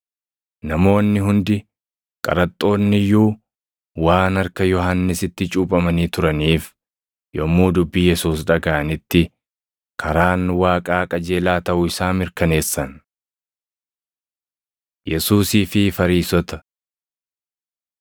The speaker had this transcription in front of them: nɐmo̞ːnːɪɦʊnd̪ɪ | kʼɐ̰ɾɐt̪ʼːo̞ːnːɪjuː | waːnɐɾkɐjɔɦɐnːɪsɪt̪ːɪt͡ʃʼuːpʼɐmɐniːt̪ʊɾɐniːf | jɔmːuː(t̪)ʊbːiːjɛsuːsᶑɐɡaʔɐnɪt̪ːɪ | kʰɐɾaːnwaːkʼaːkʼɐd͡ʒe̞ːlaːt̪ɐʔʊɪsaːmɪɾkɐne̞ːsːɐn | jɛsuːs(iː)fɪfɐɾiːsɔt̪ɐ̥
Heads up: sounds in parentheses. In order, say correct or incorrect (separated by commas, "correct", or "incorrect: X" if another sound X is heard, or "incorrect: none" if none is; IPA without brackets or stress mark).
incorrect: d̪, correct